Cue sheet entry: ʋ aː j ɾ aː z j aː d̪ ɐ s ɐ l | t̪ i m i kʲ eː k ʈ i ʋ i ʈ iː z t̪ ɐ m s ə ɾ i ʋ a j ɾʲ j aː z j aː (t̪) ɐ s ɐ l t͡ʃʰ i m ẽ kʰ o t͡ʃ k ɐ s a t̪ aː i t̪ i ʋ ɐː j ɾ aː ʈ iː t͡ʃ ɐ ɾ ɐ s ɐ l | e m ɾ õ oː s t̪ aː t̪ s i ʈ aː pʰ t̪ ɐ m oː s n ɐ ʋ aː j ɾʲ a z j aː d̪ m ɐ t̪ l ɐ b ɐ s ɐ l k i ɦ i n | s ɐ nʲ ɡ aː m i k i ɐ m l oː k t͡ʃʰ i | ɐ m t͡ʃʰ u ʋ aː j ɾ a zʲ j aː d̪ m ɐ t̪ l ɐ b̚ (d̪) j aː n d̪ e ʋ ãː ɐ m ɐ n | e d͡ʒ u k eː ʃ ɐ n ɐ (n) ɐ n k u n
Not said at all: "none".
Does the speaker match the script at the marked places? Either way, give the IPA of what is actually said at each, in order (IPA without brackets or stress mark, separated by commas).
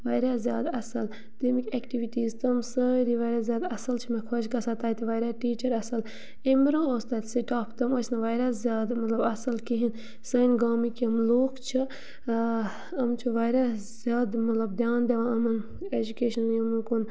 d̪, d̪, m